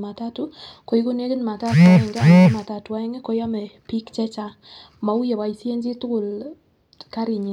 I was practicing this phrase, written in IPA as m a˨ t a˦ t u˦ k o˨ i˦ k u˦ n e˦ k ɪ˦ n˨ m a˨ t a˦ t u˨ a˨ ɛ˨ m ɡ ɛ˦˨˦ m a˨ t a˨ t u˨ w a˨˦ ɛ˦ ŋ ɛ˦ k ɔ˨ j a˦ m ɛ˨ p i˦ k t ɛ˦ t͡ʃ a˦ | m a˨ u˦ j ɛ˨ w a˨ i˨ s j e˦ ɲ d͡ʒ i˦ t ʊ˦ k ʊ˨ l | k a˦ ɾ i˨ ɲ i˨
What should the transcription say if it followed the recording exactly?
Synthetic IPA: m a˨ t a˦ t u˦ k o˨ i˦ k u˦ n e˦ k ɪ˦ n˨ m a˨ t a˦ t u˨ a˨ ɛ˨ ŋ ɡ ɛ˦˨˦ m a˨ t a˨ t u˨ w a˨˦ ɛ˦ ŋ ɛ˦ k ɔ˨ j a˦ m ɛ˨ p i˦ k t͡ʃ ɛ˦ t͡ʃ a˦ | m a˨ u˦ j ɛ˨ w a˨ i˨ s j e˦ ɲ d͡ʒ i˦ t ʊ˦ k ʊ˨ l | k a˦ ɾ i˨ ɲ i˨